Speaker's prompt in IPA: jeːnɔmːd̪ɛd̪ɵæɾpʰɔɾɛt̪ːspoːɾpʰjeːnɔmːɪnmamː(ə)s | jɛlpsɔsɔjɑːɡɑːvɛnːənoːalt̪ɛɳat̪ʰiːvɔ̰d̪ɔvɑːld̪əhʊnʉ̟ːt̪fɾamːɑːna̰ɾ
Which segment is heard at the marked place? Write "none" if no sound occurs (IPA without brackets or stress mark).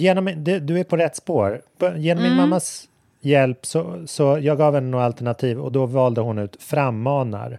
a